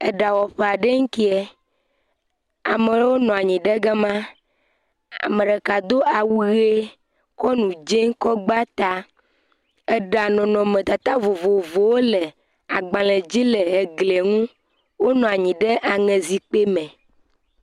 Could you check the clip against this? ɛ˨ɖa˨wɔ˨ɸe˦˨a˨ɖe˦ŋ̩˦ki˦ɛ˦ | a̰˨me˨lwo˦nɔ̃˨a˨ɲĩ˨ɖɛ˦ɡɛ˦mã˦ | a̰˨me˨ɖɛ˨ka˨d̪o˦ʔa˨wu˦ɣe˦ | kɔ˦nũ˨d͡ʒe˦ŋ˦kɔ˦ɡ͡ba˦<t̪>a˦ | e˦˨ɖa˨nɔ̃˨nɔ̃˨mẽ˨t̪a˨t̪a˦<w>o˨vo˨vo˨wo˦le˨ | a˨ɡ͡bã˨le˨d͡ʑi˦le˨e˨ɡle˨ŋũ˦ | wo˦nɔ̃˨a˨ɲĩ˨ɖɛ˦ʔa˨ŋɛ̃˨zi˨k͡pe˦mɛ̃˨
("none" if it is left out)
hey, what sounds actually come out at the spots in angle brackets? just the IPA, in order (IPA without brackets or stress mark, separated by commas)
t̪, v